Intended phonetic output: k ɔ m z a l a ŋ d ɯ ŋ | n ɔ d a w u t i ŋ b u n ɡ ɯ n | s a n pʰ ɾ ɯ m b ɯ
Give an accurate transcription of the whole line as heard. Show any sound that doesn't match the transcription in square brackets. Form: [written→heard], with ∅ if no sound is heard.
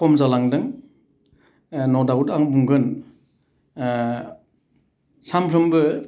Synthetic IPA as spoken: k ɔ m z a l a ŋ d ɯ ŋ | n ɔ d a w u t [i→a] ŋ b u [n→ŋ] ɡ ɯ n | s a [n→m] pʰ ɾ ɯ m b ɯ